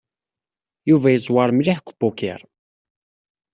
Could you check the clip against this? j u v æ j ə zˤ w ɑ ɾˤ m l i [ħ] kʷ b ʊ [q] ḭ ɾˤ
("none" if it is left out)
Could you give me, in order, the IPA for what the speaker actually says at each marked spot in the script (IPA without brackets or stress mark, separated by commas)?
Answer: ħ, k